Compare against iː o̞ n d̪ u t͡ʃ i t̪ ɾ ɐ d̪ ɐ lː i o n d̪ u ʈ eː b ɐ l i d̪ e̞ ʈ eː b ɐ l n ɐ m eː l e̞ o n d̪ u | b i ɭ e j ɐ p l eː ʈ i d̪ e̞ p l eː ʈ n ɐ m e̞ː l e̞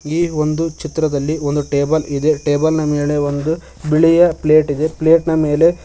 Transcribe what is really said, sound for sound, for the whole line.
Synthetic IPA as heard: iː o̞ n d̪ u t͡ʃ i t̪ ɾ ɐ d̪ ɐ lː i o n d̪ u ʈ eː b ɐ l i d̪ e̞ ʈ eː b ɐ l n ɐ m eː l e̞ o n d̪ u | b i ɭ i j ɐ p l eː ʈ i d̪ e̞ p l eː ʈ n ɐ m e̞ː l e̞

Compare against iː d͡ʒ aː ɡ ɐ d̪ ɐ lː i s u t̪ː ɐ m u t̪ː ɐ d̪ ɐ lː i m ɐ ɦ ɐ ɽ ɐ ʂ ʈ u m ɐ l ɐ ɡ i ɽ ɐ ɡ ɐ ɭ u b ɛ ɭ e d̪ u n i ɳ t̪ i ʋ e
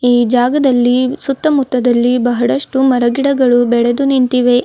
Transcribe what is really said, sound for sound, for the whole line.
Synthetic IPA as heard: iː d͡ʒ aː ɡ ɐ d̪ ɐ lː i s u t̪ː ɐ m u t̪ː ɐ d̪ ɐ lː i b ɐ ɦ ɐ ɽ ɐ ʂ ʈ u m ɐ ɾ ɐ ɡ i ɽ ɐ ɡ ɐ ɭ u b ɛ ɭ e d̪ u n i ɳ t̪ i ʋ e

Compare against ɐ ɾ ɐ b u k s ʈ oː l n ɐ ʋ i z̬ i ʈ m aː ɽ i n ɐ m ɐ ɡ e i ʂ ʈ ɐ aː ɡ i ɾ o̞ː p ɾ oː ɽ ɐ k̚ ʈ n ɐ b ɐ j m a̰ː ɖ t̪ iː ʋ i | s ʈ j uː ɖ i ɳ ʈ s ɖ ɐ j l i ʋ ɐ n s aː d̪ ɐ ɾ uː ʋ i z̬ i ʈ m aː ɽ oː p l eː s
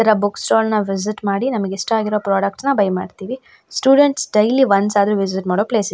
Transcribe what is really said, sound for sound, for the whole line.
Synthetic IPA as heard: ɐ ɾ ɐ b u k s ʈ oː l n ɐ ʋ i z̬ i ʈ m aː ɽ i n ɐ m ɐ ɡ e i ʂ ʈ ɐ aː ɡ i ɾ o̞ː p ɾ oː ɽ ɐ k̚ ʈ n ɐ b ɐ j m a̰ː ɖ t̪ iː ʋ i | s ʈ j uː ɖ e ɳ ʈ s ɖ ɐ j l i ʋ ɐ n s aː d̪ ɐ ɾ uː ʋ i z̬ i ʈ m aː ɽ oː p l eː s

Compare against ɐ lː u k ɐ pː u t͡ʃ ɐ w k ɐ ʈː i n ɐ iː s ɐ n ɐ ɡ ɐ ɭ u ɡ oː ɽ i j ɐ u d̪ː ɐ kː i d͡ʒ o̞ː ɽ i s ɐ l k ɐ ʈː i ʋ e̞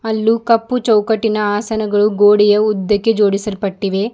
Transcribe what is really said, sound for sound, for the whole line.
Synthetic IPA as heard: ɐ lː u k ɐ pː u t͡ʃ ɐ w k ɐ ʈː i n ɐ aː s ɐ n ɐ ɡ ɐ ɭ u ɡ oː ɽ i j ɐ u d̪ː ɐ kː e d͡ʒ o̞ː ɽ i s ɐ l p ɐ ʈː i ʋ e̞

